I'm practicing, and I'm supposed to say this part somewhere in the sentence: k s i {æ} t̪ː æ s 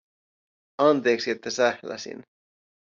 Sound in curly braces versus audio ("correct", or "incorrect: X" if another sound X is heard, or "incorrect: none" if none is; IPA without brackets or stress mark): incorrect: e